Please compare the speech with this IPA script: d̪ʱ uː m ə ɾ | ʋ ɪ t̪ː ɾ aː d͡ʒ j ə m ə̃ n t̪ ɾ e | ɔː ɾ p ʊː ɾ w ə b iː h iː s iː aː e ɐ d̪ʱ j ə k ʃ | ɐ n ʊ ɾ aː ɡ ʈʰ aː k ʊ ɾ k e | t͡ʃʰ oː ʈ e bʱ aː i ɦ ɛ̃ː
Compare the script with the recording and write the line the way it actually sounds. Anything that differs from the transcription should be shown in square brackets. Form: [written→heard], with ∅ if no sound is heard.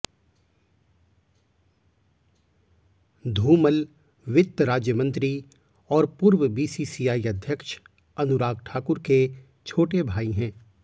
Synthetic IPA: d̪ʱ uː m ə [ɾ→l] | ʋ ɪ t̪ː ɾ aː d͡ʒ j ə m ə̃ n t̪ ɾ [e→i] | ɔː ɾ p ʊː ɾ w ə b iː [h→s] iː s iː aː [e→i] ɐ d̪ʱ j ə k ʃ | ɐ n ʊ ɾ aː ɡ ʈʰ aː k ʊ ɾ k e | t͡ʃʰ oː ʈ e bʱ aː i ɦ ɛ̃ː